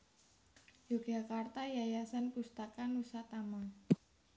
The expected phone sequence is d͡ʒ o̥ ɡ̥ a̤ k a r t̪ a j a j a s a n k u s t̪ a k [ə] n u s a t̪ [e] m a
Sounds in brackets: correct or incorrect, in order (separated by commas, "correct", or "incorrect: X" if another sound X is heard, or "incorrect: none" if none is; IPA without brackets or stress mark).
incorrect: a, incorrect: a